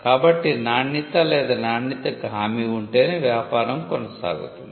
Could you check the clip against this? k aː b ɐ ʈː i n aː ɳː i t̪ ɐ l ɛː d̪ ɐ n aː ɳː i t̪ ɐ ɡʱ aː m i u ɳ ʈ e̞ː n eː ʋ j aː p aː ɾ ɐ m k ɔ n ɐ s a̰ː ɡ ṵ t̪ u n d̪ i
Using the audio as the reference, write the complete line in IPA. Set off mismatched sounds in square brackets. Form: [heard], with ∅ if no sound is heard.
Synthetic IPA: k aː b ɐ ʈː i n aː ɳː i t̪ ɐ l ɛː d̪ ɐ n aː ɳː i t̪ ɐ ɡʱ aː m i u ɳ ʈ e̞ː n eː ʋ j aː p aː ɾ ɐ m k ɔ n ɐ s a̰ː ɡ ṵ t̪ u n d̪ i